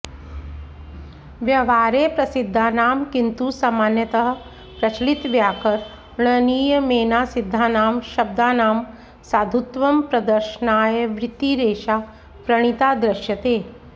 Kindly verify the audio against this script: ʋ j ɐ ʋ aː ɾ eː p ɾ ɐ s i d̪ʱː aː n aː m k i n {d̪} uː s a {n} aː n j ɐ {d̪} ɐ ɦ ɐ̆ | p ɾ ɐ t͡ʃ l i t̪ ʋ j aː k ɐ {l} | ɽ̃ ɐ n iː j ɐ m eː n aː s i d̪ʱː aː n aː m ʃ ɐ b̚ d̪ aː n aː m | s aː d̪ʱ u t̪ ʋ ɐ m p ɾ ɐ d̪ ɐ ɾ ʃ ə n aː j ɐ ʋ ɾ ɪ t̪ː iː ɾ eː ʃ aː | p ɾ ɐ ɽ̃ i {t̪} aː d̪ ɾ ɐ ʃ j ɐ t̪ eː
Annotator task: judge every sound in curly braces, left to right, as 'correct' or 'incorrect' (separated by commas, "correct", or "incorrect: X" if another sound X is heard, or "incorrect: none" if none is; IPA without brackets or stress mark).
incorrect: t̪, incorrect: m, incorrect: t̪, incorrect: ɾ, correct